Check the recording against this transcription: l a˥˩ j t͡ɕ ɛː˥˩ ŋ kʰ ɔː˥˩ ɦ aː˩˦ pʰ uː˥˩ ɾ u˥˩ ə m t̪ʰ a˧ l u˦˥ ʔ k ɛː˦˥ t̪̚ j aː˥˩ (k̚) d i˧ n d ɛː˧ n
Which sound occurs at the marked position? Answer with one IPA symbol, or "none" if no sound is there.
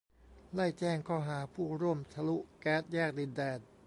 k̚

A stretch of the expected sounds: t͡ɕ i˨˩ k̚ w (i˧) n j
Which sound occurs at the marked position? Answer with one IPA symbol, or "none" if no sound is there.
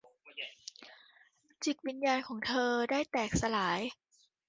i˧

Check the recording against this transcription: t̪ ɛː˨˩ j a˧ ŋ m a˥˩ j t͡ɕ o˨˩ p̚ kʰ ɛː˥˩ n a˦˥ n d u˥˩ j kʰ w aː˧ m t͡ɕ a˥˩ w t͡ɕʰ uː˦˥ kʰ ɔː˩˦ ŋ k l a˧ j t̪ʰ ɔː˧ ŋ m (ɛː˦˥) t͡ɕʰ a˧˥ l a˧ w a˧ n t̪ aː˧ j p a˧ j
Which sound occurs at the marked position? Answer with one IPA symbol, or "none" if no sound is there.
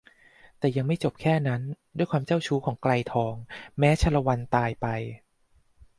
ɛː˦˥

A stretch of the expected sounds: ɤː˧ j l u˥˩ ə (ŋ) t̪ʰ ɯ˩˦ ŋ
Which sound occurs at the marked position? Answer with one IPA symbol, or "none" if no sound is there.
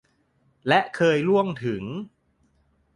ŋ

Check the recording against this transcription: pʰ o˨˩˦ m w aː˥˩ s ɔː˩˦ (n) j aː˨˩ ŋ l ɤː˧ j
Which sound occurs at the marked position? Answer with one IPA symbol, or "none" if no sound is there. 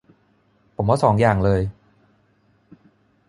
ŋ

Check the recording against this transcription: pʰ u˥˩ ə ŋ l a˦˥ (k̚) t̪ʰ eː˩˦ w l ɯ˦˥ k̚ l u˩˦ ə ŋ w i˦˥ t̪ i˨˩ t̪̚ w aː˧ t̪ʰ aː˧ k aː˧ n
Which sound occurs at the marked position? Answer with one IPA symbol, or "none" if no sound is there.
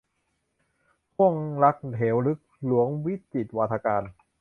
k̚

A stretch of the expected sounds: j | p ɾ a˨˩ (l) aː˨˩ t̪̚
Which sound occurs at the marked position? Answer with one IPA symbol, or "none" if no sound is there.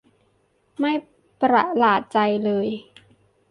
l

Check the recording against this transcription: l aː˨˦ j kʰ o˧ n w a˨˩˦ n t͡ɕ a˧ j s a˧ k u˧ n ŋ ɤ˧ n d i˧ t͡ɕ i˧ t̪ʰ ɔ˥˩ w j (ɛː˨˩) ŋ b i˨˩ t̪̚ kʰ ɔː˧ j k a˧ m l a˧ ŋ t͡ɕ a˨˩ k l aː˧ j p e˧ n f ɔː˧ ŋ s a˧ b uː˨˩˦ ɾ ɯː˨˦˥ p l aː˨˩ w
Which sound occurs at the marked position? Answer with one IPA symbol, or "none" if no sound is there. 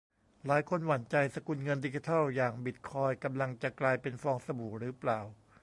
aː˨˩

